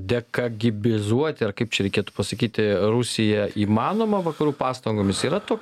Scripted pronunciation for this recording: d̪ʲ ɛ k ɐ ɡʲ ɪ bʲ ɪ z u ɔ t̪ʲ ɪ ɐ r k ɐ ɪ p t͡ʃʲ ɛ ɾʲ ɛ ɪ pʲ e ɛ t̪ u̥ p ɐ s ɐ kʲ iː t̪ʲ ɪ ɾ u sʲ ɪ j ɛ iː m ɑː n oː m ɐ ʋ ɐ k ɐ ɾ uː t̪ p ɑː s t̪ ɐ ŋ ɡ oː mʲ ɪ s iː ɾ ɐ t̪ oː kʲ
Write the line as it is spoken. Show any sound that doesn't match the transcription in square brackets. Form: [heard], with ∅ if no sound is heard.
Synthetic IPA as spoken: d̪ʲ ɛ k ɐ ɡʲ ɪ bʲ ɪ z u ɔ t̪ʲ ɪ ɐ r k ɐ ɪ p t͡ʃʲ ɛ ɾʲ ɛ ɪ [kʲ] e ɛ t̪ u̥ p ɐ s ɐ kʲ iː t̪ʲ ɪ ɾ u sʲ ɪ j ɛ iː m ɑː n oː m ɐ ʋ ɐ k ɐ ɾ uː [∅] p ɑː s t̪ ɐ ŋ ɡ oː mʲ ɪ s iː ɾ ɐ t̪ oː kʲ

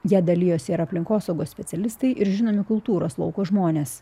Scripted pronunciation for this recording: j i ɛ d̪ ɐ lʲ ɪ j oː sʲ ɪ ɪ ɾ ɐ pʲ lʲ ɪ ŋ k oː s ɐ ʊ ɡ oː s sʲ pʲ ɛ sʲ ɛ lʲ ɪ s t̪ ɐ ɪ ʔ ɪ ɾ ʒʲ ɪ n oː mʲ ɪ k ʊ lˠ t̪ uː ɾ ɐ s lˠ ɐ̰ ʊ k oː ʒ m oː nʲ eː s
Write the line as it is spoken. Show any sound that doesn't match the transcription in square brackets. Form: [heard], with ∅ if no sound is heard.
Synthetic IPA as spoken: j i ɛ d̪ ɐ lʲ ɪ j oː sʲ ɪ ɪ ɾ ɐ pʲ lʲ ɪ ŋ k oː s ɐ ʊ ɡ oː s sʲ pʲ ɛ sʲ ɛ lʲ ɪ s t̪ ɐ ɪ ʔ ɪ ɾ ʒʲ ɪ n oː mʲ ɪ k ʊ lˠ t̪ uː ɾ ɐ s lˠ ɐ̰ ʊ k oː ʒ m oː nʲ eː s

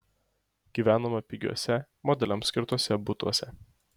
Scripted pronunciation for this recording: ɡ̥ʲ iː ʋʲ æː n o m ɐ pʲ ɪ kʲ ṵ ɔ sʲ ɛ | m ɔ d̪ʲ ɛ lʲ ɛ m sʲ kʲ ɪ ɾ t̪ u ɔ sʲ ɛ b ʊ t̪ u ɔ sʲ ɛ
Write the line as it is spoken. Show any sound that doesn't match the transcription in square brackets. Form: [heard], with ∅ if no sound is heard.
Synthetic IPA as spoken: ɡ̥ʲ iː ʋʲ æː n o m ɐ pʲ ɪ [ɡʲ] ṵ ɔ sʲ ɛ | m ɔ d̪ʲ ɛ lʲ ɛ m sʲ kʲ ɪ ɾ t̪ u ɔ sʲ ɛ b ʊ t̪ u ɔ sʲ ɛ

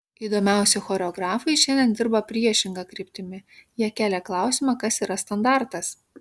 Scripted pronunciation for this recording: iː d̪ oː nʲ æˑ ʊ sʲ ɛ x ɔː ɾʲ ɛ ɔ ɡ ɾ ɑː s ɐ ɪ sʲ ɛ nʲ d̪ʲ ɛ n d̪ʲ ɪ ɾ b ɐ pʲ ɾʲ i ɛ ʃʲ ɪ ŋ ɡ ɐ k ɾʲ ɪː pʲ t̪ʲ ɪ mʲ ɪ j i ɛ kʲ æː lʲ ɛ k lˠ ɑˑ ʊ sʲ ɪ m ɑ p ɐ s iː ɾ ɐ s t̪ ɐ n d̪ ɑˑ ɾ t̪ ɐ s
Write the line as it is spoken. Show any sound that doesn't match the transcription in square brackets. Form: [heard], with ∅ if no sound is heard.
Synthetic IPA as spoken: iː d̪ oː [mʲ] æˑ ʊ sʲ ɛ x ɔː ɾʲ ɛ ɔ ɡ ɾ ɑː [f] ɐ ɪ [ʃʲ] ɛ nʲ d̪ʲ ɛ n d̪ʲ ɪ ɾ b ɐ pʲ ɾʲ i ɛ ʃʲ ɪ ŋ ɡ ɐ k ɾʲ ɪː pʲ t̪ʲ ɪ mʲ ɪ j i ɛ kʲ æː lʲ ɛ k lˠ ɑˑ ʊ sʲ ɪ m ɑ [k] ɐ s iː ɾ ɐ s t̪ ɐ n d̪ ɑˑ ɾ t̪ ɐ s

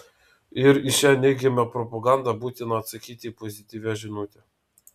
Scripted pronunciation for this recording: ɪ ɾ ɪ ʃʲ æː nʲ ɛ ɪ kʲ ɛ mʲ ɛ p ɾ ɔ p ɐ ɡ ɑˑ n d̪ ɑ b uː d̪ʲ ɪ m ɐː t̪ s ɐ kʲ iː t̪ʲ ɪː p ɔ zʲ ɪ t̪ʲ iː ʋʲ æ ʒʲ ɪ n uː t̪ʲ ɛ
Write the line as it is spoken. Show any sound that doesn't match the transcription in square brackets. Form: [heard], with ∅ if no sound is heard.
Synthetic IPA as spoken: ɪ ɾ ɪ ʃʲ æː nʲ ɛ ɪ [ɡʲ] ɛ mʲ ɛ p ɾ ɔ p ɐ ɡ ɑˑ n d̪ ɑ b uː [t̪ʲ] ɪ [n] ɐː t̪ s ɐ kʲ iː t̪ʲ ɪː p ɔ zʲ ɪ t̪ʲ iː ʋʲ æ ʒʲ ɪ n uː t̪ʲ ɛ

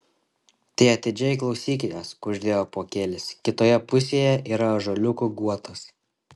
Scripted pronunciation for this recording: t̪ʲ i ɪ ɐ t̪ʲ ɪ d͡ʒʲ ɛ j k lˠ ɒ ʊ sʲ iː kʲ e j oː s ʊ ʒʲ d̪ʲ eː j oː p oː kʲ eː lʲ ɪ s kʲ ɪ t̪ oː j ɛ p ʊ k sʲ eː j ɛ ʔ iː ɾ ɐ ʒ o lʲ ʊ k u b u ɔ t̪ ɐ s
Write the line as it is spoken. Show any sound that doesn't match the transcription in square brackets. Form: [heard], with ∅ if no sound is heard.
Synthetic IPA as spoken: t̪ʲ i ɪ ɐ t̪ʲ ɪ d͡ʒʲ ɛ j k lˠ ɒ ʊ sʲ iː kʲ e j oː s ʊ ʒʲ d̪ʲ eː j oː p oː kʲ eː lʲ ɪ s kʲ ɪ t̪ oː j ɛ p ʊ [∅] sʲ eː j ɛ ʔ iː ɾ ɐ ʒ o lʲ ʊ k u [ɡ] u ɔ t̪ ɐ s

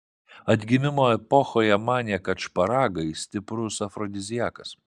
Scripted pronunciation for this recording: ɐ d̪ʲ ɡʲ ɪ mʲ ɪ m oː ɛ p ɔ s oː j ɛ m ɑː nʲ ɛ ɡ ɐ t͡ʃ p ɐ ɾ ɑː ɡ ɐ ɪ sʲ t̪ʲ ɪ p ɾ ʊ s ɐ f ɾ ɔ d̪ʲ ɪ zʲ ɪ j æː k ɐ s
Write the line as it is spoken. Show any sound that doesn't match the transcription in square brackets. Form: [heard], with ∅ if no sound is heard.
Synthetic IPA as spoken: ɐ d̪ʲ ɡʲ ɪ mʲ ɪ m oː ɛ p ɔ [x] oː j ɛ m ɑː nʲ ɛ [k] ɐ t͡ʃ p ɐ ɾ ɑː ɡ ɐ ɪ sʲ t̪ʲ ɪ p ɾ ʊ s ɐ f ɾ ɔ d̪ʲ ɪ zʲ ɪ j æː k ɐ s

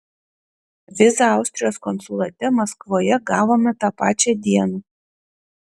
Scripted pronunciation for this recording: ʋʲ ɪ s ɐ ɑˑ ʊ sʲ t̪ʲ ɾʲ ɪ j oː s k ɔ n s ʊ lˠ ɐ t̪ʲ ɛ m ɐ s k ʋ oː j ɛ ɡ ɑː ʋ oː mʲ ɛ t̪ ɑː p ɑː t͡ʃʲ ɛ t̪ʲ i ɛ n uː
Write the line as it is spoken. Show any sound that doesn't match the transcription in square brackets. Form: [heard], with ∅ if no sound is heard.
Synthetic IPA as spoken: ʋʲ ɪ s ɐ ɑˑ ʊ sʲ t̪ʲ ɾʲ ɪ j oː s k ɔ n s ʊ lˠ ɐ t̪ʲ ɛ m ɐ s k ʋ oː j ɛ ɡ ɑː ʋ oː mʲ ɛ t̪ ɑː p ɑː t͡ʃʲ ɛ [d̪ʲ] i ɛ n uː

